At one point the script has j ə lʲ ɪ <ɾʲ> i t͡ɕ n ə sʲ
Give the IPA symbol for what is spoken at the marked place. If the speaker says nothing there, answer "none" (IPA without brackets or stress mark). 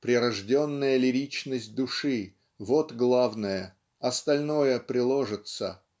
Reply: ɾʲ